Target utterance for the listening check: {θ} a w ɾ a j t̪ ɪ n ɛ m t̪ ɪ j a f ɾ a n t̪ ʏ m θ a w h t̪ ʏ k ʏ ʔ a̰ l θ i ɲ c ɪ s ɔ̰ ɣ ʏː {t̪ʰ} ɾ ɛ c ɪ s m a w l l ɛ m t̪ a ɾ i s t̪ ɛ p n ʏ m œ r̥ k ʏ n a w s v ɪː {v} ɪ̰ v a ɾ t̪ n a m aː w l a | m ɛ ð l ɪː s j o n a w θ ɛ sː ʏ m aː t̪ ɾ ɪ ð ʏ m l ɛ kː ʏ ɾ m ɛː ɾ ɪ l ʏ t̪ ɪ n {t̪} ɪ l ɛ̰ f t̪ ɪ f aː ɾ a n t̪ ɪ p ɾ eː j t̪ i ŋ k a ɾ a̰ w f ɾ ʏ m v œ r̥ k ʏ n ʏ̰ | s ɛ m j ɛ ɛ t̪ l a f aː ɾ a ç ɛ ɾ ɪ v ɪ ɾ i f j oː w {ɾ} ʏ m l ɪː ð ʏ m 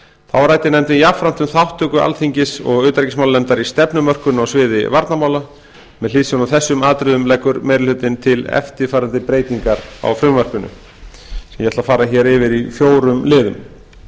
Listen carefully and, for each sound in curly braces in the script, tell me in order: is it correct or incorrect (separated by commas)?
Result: correct, incorrect, incorrect, incorrect, correct